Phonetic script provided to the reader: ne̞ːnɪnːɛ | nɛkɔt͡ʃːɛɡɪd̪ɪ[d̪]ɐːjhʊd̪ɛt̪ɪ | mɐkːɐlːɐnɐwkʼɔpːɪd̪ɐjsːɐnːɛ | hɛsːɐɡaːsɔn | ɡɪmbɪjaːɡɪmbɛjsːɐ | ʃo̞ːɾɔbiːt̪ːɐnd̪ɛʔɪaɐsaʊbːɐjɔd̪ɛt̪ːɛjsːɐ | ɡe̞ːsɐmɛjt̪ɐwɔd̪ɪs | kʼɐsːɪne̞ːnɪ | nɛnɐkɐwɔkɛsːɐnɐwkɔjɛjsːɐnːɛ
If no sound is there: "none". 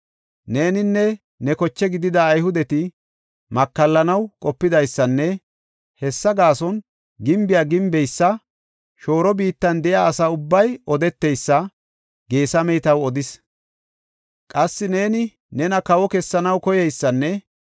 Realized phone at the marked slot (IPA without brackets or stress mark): d̪